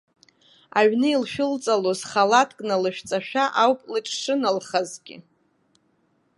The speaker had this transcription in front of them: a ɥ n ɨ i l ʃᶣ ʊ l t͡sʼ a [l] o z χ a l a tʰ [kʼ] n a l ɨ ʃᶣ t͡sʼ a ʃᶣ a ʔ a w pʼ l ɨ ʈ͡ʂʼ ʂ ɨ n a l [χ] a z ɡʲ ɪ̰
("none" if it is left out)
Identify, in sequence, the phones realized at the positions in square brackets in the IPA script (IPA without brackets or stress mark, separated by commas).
l, kʼ, χ